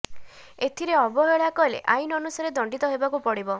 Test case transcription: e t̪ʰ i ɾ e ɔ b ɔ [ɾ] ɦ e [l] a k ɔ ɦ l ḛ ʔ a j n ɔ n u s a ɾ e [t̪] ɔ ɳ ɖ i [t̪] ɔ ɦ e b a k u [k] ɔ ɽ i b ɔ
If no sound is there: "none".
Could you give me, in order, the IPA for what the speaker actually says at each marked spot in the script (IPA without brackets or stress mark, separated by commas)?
none, ɭ, d̪, t̪, p